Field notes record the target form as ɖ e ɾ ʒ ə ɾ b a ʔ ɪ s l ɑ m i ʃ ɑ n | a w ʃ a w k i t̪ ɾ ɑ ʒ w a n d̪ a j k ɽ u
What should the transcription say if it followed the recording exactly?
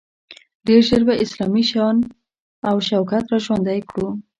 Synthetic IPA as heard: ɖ e ɾ ʒ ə ɾ b a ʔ ɪ s l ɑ m i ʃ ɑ n | a w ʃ a w k a t̪ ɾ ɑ ʒ w a n d̪ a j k ɽ u

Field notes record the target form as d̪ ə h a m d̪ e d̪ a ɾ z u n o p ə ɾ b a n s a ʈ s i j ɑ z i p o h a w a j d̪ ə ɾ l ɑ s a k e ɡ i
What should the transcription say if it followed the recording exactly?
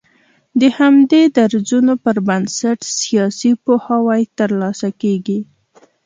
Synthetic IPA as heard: d̪ ə h a m d̪ e d̪ a ɾ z u n o p ə ɾ b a n s a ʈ s i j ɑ s i p o h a w a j t̪ ə ɾ l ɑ s a k e ɡ i

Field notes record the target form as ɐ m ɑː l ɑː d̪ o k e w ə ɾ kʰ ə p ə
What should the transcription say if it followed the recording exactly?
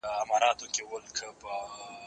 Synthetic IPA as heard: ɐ m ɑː ɾ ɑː t̪ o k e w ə l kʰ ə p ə

